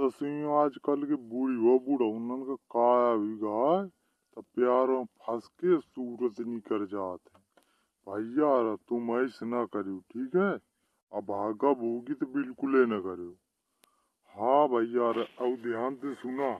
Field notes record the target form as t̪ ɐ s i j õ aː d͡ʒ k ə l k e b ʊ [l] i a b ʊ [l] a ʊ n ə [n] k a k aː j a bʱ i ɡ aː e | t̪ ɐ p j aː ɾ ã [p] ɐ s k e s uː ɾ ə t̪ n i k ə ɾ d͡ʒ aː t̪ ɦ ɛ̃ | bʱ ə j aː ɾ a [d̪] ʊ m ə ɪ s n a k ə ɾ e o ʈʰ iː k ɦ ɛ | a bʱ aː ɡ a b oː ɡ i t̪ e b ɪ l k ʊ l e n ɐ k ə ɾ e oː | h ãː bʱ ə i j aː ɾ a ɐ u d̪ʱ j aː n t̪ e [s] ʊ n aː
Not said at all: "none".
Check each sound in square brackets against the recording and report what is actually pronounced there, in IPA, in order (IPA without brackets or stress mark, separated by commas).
ɽ, ɽ, n, pʰ, t̪, s